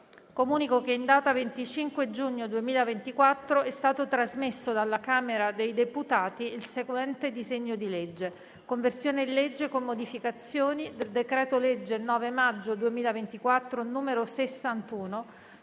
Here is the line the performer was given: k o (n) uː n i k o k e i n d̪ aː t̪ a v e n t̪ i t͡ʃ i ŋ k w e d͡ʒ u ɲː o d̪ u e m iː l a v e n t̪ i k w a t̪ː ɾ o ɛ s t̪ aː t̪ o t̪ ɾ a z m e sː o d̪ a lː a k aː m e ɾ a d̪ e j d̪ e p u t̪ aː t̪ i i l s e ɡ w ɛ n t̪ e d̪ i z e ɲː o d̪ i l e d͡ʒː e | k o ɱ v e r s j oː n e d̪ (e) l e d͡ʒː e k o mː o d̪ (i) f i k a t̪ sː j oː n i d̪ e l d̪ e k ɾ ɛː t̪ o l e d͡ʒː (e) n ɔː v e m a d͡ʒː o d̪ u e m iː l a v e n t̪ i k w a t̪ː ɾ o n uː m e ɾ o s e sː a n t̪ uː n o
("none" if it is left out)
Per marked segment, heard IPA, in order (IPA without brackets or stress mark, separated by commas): m, i, i, e